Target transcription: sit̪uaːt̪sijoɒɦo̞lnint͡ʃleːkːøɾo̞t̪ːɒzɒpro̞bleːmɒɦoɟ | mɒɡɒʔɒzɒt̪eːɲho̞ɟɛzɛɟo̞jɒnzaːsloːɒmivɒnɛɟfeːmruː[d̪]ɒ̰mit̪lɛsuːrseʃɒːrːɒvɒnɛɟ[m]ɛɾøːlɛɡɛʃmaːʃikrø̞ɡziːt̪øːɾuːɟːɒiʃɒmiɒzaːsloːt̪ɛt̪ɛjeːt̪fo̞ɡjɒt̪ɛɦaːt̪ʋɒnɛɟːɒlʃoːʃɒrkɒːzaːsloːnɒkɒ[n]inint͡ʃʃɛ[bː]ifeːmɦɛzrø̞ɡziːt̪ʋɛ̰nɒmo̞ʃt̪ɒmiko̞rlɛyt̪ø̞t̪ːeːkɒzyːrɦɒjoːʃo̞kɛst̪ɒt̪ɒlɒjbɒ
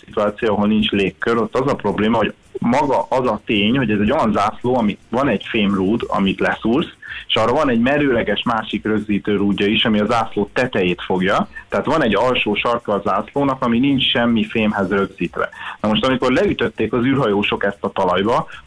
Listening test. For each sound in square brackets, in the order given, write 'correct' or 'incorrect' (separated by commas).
correct, correct, incorrect, incorrect